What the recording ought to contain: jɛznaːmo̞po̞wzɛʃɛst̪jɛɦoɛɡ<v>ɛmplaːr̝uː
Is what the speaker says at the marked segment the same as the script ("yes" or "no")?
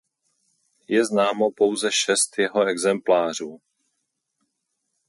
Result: no